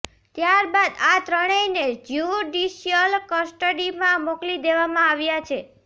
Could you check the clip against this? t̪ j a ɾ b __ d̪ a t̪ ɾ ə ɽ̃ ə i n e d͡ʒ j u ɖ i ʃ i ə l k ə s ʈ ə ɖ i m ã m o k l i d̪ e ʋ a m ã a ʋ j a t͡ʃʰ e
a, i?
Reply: a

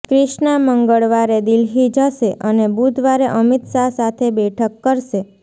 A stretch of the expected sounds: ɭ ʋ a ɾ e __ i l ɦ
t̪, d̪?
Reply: d̪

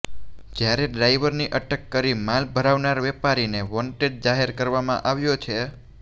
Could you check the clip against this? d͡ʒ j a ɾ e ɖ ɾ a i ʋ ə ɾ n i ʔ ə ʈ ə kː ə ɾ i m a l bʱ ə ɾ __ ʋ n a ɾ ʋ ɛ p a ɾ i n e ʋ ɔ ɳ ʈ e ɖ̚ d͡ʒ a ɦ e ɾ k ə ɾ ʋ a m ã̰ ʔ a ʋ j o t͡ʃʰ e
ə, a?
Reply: a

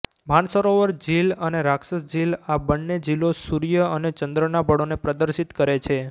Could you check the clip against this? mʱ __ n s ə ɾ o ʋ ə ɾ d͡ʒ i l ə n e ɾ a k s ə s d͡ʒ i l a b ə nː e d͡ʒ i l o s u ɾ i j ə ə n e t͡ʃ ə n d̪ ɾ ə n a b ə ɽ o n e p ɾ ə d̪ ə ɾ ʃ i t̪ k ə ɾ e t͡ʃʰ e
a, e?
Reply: a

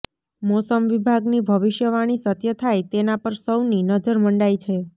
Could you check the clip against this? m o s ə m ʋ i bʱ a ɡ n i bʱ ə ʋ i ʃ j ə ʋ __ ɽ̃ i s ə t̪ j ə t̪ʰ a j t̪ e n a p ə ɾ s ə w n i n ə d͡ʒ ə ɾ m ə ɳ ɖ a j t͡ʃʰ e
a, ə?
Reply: a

